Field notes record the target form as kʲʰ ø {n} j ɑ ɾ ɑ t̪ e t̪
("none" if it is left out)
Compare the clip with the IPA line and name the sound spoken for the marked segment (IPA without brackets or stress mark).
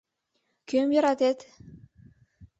m